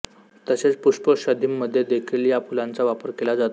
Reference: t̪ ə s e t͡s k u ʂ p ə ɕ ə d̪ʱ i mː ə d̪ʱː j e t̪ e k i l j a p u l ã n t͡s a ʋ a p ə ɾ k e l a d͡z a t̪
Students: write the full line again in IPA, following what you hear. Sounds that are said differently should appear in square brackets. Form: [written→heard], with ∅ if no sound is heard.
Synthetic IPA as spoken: t̪ ə s e t͡s [k→p] u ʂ p ə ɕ ə d̪ʱ i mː ə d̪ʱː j e [t̪→d̪] e [k→kʰ] i l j a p u l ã n t͡s a ʋ a p ə ɾ k e l a d͡z a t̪

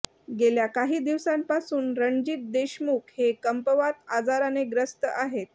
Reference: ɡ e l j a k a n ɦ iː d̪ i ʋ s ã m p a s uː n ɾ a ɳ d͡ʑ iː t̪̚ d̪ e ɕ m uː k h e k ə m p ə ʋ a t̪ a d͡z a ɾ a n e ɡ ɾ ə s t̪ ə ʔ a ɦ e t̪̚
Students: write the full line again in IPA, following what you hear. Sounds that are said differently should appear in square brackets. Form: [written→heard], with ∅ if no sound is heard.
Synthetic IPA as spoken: ɡ e l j a k a [n→∅] ɦ iː d̪ i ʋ s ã m p a s uː n ɾ [a→ə] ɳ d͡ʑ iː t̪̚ d̪ e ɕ m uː k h e k ə m p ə ʋ a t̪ a d͡z a ɾ a n e ɡ ɾ ə s t̪ ə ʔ a ɦ e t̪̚

